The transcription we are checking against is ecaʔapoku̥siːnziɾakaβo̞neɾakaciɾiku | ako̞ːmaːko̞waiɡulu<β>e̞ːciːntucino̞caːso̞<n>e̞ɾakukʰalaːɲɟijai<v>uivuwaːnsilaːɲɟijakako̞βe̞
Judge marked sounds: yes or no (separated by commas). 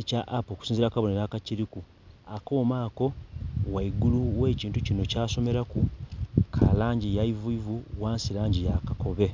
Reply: no, no, yes